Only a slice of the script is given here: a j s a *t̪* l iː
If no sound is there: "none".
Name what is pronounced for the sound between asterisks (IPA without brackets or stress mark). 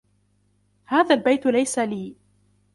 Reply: none